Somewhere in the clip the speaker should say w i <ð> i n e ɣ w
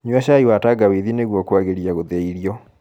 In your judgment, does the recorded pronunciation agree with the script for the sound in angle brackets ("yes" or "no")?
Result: yes